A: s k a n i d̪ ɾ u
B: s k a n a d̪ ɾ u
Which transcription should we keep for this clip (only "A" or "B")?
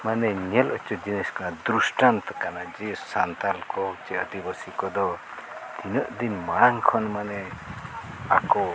B